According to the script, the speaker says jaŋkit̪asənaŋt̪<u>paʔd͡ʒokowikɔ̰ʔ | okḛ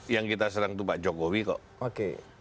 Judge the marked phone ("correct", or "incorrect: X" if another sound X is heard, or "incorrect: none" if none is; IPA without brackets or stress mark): correct